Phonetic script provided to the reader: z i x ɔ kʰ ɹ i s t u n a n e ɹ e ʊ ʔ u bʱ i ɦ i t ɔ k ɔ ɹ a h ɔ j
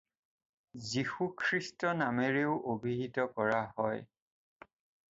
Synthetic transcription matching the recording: z i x u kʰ ɹ i s t ɔ n a m e ɹ e ʊ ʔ o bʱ i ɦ i t ɔ k ɔ ɹ a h ɔ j